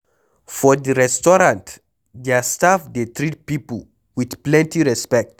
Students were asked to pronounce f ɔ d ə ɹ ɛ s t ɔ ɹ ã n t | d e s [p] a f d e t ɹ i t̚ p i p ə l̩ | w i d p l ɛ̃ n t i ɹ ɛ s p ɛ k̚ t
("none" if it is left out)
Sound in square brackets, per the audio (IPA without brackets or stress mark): t